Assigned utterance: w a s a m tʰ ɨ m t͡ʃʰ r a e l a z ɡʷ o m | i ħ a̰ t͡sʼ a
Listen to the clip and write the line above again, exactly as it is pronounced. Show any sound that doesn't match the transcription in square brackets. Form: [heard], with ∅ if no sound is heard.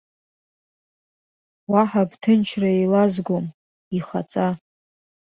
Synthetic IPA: w a [ħ] a [b] tʰ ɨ [n] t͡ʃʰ r a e l a z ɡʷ o m | i [χ] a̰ t͡sʼ a